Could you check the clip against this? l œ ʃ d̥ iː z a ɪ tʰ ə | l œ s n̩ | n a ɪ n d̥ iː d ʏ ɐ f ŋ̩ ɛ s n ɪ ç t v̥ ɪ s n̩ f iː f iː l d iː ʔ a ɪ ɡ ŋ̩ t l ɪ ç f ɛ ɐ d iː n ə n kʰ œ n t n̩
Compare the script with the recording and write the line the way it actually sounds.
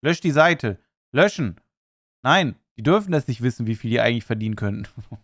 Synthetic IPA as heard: l œ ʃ d̥ iː z a ɪ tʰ ə | l œ ʃ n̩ | n a ɪ n d̥ iː d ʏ ɐ f n̩ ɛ s n ɪ ç t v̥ ɪ s n̩ v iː f iː l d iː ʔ a ɪ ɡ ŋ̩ t l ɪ ç f ɛ ɐ d iː n ə n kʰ œ n t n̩